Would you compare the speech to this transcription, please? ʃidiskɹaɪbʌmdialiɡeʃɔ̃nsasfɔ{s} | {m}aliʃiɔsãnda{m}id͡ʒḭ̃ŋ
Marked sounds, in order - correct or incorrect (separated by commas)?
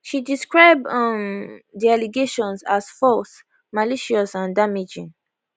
correct, correct, correct